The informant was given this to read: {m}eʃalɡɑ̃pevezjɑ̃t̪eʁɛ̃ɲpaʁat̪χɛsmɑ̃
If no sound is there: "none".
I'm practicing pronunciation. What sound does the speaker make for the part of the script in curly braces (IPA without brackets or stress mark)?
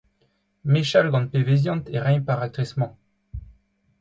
m